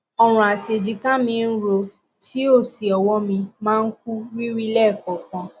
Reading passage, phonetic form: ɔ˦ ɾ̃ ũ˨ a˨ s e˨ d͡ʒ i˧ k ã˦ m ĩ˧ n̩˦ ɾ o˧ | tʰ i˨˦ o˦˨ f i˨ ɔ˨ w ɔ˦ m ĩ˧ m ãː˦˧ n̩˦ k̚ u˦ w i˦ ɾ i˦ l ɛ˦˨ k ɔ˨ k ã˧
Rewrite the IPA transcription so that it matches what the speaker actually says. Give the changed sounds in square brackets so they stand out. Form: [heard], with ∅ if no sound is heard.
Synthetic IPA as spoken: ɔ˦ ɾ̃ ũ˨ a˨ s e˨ d͡ʒ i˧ k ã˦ m ĩ˧ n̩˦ ɾ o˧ | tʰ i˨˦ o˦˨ [s] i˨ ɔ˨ w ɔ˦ m ĩ˧ m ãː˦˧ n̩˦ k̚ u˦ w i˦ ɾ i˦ l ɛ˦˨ k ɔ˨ k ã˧